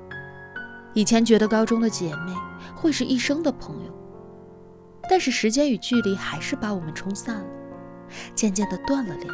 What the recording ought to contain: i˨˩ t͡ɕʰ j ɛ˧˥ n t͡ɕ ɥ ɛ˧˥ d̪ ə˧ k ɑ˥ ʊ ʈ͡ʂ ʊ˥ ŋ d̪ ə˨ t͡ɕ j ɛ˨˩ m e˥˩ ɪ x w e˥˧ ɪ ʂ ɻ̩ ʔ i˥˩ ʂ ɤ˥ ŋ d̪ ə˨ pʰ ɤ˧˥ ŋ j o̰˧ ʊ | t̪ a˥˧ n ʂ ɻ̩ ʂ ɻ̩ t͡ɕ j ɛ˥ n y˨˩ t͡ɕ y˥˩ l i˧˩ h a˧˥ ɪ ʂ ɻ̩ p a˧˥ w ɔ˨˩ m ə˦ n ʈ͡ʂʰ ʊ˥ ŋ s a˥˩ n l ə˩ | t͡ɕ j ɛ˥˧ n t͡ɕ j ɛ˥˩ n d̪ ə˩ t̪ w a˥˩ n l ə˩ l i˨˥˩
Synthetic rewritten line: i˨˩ t͡ɕʰ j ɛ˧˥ n t͡ɕ ɥ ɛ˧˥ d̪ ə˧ k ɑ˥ ʊ ʈ͡ʂ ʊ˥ ŋ d̪ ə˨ t͡ɕ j ɛ˨˩ m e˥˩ ɪ x w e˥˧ ɪ ʂ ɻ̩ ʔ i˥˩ ʂ ɤ˥ ŋ d̪ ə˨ pʰ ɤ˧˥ ŋ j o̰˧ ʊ | t̪ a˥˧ n ʂ ɻ̩ ʂ ɻ̩ t͡ɕ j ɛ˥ n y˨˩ t͡ɕ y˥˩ l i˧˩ x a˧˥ ɪ ʂ ɻ̩ p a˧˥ w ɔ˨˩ m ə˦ n ʈ͡ʂʰ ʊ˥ ŋ s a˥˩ n l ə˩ | t͡ɕ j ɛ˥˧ n t͡ɕ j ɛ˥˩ n d̪ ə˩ t̪ w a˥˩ n l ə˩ l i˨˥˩